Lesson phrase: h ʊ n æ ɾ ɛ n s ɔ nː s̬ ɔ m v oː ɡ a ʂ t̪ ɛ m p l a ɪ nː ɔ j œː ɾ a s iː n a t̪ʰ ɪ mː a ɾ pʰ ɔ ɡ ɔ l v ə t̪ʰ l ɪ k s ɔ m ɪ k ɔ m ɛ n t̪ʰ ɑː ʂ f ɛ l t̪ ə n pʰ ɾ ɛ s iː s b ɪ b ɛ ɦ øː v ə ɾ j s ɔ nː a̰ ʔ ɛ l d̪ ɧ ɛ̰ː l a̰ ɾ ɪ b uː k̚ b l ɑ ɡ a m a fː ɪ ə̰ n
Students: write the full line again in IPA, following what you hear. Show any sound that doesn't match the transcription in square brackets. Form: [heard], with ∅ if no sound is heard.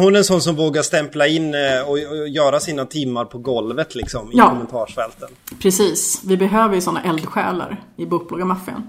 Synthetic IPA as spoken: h ʊ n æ ɾ ɛ n s ɔ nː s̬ ɔ m v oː ɡ a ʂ t̪ ɛ m p l a ɪ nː ɔ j œː ɾ a s iː n a t̪ʰ ɪ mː a ɾ pʰ ɔ ɡ ɔ l v ə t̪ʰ l ɪ k s ɔ m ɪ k ɔ m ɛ n t̪ʰ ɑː ʂ f ɛ l t̪ ə n pʰ ɾ ɛ s iː s [v] ɪ b ɛ ɦ øː v ə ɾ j s ɔ nː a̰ ʔ ɛ l d̪ ɧ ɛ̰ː l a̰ ɾ ɪ b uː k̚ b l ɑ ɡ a m a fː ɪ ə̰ n